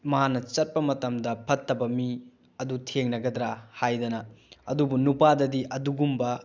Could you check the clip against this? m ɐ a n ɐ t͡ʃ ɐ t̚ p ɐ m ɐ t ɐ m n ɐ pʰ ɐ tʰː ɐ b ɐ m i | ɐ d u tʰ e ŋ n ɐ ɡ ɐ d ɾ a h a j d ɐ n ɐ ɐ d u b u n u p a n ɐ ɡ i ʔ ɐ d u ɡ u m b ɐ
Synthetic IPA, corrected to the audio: m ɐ a n ɐ t͡ʃ ɐ t̚ p ɐ m ɐ t ɐ m d ɐ pʰ ɐ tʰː ɐ b ɐ m i | ɐ d u tʰ e ŋ n ɐ ɡ ɐ d ɾ a h a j d ɐ n ɐ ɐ d u b u n u p a d ɐ d i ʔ ɐ d u ɡ u m b ɐ